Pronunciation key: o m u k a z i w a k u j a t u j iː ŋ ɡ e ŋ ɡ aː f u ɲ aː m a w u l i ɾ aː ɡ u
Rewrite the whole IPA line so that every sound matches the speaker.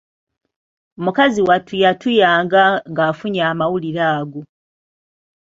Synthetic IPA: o m u k a z i w a t u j a t u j aː ŋ ɡ a ŋ ɡ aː f u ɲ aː m a w u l i ɾ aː ɡ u